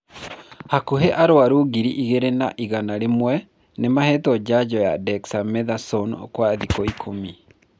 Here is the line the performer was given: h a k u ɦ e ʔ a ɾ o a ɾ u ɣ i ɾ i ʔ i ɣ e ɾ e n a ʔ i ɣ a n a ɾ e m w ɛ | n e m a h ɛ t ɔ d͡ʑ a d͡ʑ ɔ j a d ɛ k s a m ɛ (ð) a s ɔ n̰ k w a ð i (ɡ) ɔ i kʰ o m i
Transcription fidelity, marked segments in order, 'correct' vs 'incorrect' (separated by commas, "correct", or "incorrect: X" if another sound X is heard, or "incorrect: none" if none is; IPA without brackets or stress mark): correct, incorrect: k